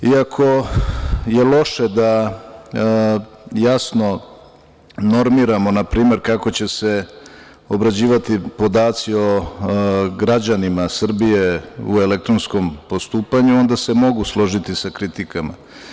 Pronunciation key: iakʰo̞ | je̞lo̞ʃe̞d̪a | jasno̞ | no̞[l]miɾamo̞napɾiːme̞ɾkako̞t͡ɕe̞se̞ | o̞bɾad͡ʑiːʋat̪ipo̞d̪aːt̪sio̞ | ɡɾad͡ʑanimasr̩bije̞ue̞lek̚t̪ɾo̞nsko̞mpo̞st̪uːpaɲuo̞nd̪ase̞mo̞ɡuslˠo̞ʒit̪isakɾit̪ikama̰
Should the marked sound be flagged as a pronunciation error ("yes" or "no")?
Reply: yes